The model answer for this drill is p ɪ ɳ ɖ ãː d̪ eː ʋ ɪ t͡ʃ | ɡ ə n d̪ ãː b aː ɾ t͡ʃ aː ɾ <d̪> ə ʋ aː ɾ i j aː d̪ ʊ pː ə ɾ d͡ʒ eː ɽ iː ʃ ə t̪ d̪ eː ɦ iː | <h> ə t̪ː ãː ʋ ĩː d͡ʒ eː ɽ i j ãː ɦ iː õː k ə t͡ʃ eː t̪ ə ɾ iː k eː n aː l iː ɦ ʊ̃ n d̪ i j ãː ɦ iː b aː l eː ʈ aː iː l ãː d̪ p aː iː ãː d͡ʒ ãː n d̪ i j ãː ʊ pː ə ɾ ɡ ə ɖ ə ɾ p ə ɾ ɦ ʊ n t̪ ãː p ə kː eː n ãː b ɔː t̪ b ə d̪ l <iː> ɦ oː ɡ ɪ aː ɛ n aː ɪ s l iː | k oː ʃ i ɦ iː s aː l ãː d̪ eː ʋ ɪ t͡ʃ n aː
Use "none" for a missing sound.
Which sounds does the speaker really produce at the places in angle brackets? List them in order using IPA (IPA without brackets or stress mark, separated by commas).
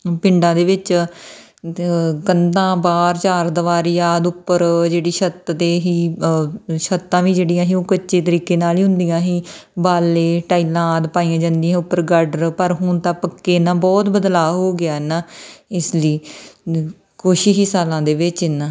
d̪, ʃ, aː